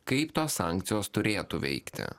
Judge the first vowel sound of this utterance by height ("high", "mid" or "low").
low